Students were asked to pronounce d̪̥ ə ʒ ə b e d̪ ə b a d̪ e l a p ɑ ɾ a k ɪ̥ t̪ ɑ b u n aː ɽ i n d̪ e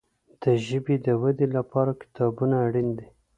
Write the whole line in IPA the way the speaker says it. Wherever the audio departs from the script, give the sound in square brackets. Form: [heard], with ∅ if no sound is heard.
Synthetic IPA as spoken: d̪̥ ə ʒ ə b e d̪ ə [w] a d̪ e l a p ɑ ɾ a k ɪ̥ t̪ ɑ b u n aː ɽ i n d̪ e